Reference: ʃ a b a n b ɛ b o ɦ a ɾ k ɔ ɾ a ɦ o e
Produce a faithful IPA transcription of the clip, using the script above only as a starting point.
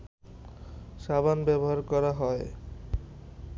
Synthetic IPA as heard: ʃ a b a n b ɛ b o ɦ a ɾ k ɔ ɾ a ɦ ɔ e